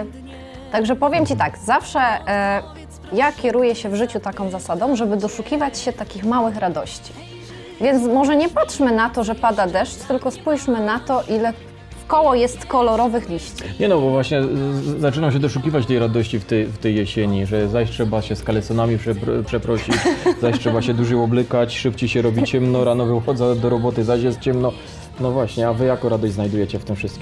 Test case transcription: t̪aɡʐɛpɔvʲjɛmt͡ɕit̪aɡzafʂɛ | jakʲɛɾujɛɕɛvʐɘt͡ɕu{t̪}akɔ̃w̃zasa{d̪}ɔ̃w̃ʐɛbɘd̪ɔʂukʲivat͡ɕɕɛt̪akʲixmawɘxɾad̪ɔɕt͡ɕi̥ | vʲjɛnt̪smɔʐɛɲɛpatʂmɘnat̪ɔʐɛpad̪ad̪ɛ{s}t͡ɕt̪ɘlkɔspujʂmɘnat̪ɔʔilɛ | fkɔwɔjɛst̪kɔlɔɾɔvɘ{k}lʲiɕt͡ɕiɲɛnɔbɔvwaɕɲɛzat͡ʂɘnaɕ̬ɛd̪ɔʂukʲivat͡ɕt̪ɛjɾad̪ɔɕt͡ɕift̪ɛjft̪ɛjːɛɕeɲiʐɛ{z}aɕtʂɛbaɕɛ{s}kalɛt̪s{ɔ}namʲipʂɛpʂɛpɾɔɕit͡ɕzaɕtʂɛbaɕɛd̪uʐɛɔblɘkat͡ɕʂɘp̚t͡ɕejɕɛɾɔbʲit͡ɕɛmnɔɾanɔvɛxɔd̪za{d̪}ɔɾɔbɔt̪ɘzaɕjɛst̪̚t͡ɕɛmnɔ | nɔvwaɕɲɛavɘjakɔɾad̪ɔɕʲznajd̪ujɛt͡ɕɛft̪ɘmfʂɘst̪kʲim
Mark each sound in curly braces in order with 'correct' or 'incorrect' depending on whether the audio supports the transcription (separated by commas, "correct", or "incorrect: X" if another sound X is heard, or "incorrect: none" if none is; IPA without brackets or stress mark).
correct, correct, incorrect: ʂ, incorrect: x, correct, correct, correct, correct